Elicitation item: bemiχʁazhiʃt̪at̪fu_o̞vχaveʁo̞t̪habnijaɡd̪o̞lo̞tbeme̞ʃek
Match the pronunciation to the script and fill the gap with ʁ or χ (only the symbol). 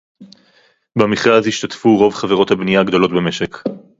ʁ